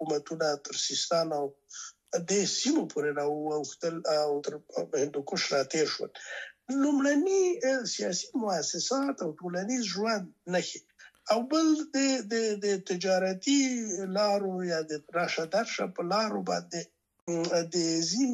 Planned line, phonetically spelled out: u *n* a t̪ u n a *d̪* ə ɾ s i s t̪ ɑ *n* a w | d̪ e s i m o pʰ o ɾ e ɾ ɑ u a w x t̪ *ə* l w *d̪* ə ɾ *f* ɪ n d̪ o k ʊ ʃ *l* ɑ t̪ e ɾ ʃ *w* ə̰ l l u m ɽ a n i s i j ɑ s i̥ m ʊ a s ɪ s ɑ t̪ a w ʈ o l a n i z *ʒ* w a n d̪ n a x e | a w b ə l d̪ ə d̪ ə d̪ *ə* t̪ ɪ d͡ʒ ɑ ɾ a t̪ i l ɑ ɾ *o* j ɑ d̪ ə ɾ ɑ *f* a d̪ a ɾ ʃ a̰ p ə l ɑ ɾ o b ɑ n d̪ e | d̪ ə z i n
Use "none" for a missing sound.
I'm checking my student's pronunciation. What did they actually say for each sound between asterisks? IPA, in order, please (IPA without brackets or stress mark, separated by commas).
m, t̪, n, ə, t̪, h, ɾ, w, ʒ, ə, o, ʃ